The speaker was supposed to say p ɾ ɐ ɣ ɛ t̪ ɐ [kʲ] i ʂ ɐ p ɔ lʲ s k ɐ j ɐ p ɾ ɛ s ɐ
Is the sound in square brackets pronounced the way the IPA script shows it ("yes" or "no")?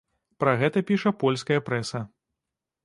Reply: no